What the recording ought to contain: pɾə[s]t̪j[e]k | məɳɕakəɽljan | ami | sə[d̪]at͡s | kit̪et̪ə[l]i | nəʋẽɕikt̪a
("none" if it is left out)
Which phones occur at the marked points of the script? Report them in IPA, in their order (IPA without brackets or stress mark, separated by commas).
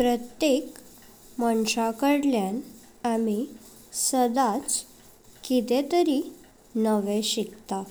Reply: none, e, d̪, ɾ